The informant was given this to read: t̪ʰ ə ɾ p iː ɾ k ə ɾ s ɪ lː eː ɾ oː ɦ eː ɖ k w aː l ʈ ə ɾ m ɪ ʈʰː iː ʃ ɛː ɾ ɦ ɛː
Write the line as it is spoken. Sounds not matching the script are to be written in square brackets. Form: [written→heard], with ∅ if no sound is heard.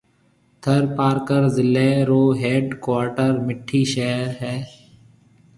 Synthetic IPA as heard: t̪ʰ ə ɾ p [iː→aː] ɾ k ə ɾ [s→z] ɪ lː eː ɾ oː ɦ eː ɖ k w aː [l→ɾ] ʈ ə ɾ m ɪ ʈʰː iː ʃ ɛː ɾ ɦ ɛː